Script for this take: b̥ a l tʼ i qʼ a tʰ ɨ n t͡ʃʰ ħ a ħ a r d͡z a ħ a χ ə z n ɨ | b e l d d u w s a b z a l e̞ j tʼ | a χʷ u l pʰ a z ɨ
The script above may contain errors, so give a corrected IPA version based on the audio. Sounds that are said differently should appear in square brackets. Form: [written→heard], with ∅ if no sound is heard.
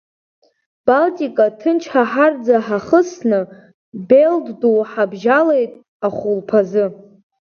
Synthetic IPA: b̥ a l tʼ i [qʼ→kʼ] a tʰ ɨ n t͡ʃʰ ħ a ħ a r d͡z a ħ a χ ə [z→s] n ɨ | b e l d d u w [s→ħ] a b [z→ʒ] a l e̞ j tʼ | a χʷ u l pʰ a z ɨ